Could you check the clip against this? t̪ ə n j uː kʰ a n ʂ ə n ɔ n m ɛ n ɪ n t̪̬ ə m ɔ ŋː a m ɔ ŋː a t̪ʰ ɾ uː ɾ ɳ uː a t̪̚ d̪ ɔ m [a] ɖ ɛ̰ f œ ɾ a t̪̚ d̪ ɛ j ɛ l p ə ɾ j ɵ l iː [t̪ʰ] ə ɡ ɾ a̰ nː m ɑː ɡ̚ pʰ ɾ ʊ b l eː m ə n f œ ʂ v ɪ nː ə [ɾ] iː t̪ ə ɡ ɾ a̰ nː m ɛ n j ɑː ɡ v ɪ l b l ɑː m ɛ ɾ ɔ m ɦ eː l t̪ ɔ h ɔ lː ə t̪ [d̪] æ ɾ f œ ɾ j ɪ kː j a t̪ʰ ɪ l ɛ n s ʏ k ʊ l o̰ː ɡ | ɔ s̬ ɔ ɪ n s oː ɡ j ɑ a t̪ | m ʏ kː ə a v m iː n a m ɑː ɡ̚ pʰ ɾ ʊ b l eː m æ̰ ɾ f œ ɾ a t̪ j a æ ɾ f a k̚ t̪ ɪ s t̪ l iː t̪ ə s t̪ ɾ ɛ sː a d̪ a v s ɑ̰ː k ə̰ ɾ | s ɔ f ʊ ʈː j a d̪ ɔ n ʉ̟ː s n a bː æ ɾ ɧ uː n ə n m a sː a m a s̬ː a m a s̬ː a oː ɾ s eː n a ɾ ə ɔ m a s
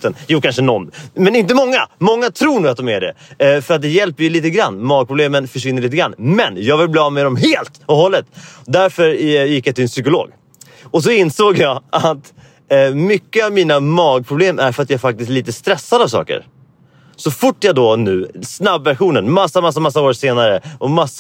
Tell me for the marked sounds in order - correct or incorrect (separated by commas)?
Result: incorrect, incorrect, incorrect, correct